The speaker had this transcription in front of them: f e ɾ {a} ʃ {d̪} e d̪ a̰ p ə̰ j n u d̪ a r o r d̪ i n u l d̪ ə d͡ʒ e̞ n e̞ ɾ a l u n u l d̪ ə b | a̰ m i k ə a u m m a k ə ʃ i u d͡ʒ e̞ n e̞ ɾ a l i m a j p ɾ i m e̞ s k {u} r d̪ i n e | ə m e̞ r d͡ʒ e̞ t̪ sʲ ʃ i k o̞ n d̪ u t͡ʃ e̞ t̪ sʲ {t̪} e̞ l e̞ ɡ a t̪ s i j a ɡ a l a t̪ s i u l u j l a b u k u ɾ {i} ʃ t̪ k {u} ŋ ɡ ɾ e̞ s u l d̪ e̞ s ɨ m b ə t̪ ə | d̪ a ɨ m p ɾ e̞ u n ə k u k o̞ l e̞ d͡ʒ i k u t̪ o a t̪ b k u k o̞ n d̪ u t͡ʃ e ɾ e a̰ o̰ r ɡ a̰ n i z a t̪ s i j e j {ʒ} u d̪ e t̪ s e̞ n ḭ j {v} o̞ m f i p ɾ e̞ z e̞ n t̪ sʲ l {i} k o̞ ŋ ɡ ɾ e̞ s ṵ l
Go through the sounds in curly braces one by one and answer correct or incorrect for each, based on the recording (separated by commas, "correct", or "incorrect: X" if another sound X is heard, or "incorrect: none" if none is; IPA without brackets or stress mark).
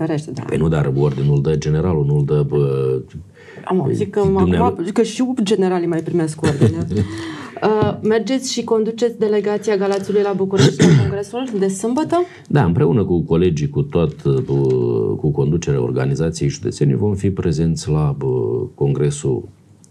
incorrect: e, incorrect: t̪, incorrect: o, incorrect: d̪, incorrect: e, incorrect: o, correct, correct, incorrect: a